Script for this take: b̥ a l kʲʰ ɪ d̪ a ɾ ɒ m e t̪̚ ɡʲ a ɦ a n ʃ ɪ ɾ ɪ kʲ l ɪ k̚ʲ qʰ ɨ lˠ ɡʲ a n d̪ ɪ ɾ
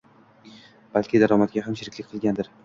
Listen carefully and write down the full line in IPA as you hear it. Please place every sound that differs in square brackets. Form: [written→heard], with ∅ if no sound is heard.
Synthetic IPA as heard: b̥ a l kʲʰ ɪ d̪ a ɾ ɒ m [e→a] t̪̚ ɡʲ a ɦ a [n→m] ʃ ɪ ɾ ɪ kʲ l ɪ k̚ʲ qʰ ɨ lˠ ɡʲ a n d̪ ɪ ɾ